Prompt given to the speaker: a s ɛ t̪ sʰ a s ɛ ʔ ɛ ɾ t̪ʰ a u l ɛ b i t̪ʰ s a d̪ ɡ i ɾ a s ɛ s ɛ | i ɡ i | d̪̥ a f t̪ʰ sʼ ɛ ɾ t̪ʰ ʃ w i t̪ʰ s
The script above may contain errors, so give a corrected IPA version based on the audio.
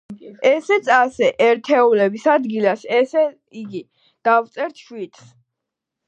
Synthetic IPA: ɛ s ɛ t̪ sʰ a s ɛ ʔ ɛ ɾ t̪ʰ ɛ u l ɛ b i s a d̪ ɡ i l a s ɛ s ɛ | i ɡ i | d̪̥ a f t̪ sʼ ɛ ɾ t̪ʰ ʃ w i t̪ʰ s